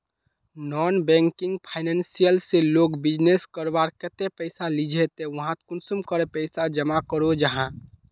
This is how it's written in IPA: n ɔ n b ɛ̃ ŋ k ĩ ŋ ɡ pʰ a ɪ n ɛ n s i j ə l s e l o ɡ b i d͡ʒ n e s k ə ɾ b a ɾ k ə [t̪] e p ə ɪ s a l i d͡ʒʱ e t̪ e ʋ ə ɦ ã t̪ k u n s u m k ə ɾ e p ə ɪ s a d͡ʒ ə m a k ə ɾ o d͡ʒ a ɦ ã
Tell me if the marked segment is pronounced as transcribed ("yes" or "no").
yes